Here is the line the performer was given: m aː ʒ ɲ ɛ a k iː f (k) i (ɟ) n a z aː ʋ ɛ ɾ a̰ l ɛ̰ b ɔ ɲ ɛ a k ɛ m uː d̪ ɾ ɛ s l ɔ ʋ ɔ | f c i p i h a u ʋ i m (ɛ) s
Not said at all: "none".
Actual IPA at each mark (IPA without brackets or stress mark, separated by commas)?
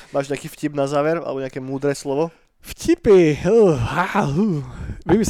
c, b, i